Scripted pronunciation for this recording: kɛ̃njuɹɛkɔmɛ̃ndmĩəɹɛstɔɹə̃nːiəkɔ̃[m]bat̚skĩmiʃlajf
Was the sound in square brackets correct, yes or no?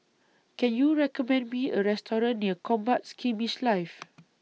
yes